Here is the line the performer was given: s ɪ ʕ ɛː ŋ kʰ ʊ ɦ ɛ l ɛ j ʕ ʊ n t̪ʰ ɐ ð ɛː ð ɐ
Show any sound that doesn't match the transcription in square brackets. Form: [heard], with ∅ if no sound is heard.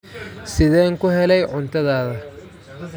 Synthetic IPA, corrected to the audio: s ɪ [ð] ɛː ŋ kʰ ʊ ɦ ɛ l ɛ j ʕ ʊ n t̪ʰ ɐ ð [aː] ð ɐ